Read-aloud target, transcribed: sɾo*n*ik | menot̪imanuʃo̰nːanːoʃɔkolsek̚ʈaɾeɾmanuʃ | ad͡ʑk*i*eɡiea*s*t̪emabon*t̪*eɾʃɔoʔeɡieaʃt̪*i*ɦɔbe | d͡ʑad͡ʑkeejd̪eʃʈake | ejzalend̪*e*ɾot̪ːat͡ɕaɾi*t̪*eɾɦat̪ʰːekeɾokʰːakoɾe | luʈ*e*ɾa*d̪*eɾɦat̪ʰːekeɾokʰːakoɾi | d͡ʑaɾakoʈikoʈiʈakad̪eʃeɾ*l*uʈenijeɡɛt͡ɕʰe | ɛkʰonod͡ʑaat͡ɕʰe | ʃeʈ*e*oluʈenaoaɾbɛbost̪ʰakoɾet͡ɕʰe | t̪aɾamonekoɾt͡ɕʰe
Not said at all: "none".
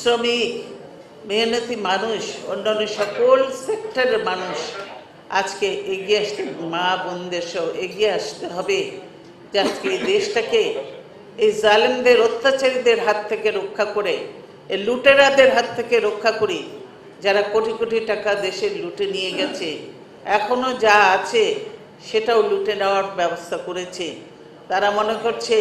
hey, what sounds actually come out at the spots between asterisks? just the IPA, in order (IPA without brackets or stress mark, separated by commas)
m, e, ʃ, d̪, e, e, d̪, e, d̪, l, a